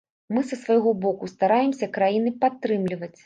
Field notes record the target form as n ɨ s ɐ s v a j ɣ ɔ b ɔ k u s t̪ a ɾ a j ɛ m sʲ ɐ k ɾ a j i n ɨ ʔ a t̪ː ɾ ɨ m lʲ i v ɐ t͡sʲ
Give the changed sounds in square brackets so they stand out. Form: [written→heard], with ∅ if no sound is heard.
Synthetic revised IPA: [n→m] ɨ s ɐ s v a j ɣ ɔ b ɔ k u s t̪ a ɾ a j ɛ m sʲ ɐ k ɾ a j i n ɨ [ʔ→p] a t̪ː ɾ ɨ m lʲ i v ɐ t͡sʲ